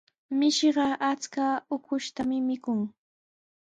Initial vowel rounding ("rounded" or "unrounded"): unrounded